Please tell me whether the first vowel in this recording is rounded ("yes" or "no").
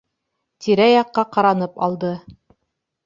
no